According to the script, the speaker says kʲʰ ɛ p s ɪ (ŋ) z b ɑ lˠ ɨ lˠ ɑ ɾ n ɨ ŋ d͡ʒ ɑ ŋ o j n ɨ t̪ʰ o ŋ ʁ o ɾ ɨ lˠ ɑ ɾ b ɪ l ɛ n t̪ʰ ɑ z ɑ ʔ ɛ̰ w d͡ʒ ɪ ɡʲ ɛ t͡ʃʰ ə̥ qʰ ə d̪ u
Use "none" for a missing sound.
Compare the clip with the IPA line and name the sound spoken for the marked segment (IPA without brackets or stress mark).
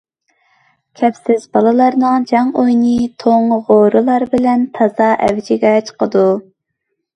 none